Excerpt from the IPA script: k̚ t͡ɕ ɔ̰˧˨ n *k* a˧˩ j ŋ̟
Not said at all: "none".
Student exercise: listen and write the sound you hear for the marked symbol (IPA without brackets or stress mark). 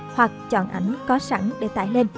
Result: ʔ